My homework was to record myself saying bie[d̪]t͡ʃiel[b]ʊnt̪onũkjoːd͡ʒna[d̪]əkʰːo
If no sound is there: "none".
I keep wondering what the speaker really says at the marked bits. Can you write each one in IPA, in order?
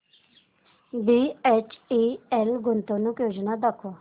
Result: none, ɡ, d̪

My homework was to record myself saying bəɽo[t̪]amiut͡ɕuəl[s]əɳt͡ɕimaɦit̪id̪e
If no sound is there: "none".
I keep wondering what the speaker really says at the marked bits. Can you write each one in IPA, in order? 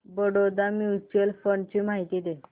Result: d̪, f

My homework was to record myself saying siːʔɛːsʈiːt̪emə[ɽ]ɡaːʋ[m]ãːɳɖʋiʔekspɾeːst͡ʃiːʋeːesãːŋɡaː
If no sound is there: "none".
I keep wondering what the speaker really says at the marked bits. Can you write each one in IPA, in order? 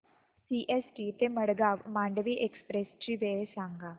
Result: ɽ, m

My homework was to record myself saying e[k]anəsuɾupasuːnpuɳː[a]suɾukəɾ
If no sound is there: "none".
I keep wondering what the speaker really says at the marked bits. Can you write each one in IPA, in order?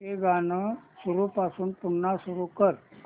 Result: ɡ, a

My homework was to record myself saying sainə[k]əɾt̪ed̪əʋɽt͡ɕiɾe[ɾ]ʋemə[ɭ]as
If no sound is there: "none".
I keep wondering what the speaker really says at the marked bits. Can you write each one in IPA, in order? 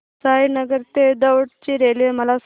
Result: ɡ, l, l

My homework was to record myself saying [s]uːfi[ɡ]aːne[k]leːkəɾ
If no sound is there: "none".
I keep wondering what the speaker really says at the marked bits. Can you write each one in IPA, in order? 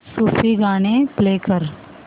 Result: s, ɡ, p

